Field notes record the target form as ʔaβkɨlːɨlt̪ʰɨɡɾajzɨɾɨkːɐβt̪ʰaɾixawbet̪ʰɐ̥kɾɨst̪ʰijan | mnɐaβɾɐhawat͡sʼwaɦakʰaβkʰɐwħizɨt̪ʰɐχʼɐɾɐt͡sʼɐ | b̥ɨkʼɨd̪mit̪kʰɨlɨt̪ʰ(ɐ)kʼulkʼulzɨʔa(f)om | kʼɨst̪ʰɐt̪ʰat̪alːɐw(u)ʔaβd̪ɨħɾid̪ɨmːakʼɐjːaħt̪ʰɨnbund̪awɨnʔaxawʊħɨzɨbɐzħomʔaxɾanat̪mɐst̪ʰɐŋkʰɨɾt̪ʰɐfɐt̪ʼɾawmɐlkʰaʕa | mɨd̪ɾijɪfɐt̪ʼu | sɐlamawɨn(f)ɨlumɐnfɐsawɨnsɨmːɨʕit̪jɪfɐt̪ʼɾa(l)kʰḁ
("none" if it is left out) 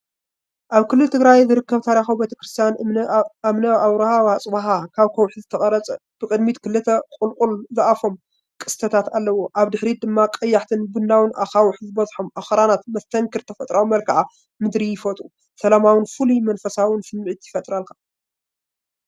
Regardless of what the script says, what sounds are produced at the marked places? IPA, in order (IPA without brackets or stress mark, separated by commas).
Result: ɐ, f, o, f, l